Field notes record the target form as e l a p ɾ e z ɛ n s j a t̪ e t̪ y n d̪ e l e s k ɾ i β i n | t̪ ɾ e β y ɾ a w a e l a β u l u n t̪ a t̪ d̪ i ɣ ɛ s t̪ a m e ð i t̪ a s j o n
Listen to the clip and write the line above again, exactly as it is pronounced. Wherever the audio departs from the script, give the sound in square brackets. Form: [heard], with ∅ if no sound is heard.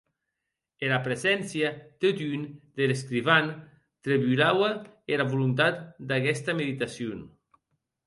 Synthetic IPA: e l a p ɾ e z ɛ n s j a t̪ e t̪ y n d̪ e l e s k ɾ i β [a] n | t̪ ɾ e β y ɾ a w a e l a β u l u n t̪ a t̪ d̪ [a] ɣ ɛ s t̪ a m e ð i t̪ a s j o n